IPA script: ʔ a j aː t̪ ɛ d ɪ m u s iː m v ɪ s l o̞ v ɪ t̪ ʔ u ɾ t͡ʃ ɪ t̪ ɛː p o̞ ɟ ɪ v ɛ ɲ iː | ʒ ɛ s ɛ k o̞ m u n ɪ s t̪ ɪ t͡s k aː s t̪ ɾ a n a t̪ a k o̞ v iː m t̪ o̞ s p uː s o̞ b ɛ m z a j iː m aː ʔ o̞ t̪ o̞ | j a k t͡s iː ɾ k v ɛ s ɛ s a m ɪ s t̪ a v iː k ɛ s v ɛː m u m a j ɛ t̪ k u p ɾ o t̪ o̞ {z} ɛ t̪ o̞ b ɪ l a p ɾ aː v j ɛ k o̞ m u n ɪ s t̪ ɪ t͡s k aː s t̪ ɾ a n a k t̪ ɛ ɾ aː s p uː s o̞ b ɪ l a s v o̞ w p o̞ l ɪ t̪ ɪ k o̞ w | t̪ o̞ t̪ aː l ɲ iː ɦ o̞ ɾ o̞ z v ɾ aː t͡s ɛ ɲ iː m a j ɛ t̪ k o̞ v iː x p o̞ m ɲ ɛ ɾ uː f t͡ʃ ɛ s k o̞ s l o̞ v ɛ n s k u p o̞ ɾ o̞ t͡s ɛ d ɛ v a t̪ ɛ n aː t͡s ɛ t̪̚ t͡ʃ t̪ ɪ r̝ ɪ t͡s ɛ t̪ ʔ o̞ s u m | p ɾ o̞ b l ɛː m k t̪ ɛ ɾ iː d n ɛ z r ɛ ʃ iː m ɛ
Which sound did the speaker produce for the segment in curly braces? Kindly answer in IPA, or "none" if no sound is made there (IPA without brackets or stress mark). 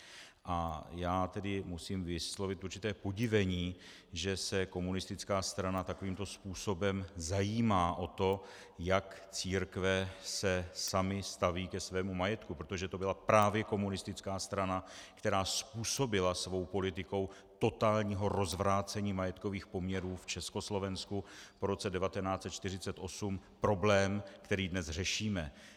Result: ʒ